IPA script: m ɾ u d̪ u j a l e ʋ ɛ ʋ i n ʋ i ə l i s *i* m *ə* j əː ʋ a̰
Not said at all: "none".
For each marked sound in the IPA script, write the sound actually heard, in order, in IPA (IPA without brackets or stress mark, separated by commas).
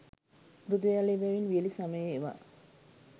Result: a, ə